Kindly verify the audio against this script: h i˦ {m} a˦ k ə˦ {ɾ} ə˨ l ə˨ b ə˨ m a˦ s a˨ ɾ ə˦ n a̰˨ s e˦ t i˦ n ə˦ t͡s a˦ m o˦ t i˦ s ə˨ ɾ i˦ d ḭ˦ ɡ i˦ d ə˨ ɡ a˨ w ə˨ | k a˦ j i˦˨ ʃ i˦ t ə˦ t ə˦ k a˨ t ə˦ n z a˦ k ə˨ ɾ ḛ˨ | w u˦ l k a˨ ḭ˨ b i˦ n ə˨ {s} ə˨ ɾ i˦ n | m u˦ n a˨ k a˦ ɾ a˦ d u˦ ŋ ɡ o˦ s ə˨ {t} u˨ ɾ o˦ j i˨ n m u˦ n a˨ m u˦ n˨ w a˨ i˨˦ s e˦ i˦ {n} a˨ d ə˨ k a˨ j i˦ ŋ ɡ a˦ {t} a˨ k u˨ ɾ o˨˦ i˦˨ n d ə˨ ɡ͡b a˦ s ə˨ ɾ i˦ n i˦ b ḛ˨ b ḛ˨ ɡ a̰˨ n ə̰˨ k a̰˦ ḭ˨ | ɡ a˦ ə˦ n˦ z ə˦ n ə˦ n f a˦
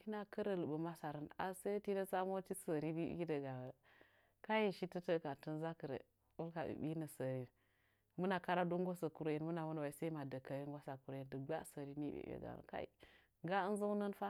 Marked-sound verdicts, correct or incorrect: incorrect: n, correct, correct, incorrect: k, incorrect: m, incorrect: s

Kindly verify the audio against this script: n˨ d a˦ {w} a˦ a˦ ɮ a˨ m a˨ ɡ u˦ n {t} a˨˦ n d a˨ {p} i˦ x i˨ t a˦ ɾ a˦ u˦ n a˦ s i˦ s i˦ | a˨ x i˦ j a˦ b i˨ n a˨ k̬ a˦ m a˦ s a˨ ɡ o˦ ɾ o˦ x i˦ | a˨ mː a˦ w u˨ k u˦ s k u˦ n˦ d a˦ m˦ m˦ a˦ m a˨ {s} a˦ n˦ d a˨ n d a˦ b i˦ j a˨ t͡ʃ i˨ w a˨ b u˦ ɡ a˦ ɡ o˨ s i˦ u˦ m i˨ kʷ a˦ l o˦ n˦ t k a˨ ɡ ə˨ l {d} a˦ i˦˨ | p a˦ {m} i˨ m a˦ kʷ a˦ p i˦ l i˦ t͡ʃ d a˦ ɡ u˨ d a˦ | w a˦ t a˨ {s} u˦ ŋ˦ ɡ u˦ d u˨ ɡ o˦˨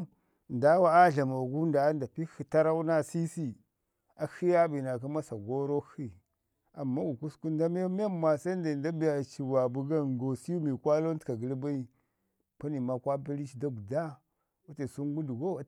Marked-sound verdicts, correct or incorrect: correct, incorrect: d, correct, correct, incorrect: b, incorrect: n, correct

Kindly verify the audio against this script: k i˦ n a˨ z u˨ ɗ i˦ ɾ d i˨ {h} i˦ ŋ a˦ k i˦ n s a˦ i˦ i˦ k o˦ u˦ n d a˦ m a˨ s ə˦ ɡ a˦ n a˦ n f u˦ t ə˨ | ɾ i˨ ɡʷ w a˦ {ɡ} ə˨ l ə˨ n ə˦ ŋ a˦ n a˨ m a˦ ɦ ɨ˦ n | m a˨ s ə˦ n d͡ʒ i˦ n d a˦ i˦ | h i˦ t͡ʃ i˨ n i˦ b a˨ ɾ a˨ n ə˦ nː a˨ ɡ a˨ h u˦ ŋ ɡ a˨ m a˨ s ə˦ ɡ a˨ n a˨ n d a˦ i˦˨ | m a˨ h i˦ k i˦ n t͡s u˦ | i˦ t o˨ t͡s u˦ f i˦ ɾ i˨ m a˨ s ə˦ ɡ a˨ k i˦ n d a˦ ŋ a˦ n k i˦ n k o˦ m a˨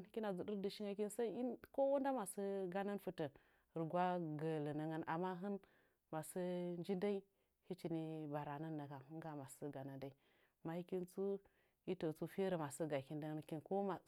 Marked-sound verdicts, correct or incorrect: incorrect: ʃ, correct

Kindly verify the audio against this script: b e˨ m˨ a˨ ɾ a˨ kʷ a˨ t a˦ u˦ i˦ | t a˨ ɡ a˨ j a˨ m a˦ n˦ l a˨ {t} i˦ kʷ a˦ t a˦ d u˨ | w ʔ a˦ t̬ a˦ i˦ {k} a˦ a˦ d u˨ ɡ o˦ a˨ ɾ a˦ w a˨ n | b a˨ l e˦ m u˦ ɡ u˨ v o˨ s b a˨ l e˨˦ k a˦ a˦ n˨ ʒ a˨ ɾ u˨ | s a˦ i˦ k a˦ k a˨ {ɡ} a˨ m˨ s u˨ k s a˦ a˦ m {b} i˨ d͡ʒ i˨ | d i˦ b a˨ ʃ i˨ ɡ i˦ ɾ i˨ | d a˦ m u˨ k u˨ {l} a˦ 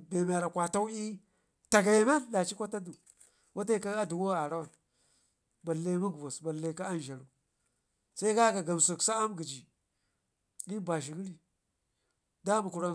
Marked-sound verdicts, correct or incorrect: incorrect: t͡ʃ, correct, correct, incorrect: ɡ, incorrect: ɾ

